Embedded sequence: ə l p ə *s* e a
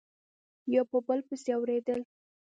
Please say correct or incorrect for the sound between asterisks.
correct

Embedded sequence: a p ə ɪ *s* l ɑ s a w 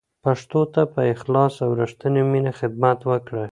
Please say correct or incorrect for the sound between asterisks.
incorrect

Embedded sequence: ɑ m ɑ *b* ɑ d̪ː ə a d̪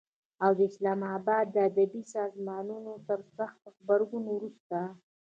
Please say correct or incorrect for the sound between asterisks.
correct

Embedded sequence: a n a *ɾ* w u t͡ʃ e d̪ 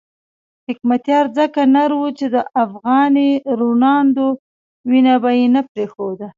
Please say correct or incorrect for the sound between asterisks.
correct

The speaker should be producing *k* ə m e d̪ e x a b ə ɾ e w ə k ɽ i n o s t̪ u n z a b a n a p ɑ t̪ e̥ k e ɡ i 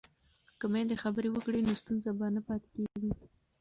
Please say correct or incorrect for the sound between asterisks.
correct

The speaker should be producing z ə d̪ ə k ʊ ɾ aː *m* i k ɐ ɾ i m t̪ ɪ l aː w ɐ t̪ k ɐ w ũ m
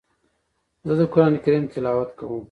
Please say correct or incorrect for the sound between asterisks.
incorrect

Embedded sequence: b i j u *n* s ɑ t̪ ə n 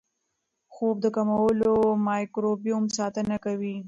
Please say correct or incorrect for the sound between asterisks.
incorrect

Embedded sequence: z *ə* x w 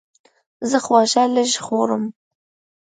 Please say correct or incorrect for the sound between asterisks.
correct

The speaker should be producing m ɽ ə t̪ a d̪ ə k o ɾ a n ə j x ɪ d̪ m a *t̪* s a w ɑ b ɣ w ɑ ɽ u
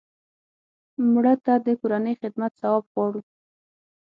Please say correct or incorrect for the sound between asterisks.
correct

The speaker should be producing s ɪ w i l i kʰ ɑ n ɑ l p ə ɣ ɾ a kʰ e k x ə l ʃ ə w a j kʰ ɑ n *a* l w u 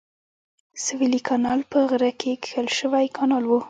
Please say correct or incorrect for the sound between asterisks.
incorrect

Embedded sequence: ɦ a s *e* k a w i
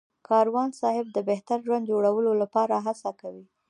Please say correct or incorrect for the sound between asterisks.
incorrect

